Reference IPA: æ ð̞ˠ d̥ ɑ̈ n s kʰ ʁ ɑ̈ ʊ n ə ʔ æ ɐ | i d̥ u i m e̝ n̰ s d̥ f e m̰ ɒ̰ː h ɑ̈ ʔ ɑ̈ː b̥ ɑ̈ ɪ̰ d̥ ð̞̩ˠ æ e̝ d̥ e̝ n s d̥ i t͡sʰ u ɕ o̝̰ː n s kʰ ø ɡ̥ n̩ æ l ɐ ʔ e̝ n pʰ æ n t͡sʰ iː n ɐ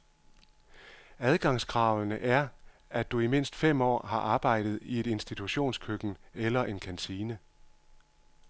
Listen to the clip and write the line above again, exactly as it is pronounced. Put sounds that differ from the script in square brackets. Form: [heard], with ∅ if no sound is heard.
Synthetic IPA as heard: æ ð̞ˠ [ɡ̥] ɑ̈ [ŋ] s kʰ ʁ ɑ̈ ʊ n ə ʔ æ ɐ | [æ] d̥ u i m e̝ n̰ s d̥ f e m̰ ɒ̰ː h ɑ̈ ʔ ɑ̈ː b̥ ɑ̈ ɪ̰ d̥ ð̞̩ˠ [i] e̝ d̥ e̝ n s d̥ i t͡sʰ u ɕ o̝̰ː n s kʰ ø ɡ̥ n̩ [e] l ɐ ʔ e̝ n [kʰ] æ n t͡sʰ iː n [ə]